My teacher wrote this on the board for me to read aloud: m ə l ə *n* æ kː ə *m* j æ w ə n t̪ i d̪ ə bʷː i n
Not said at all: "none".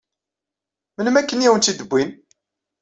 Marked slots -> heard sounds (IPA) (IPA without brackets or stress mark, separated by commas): m, n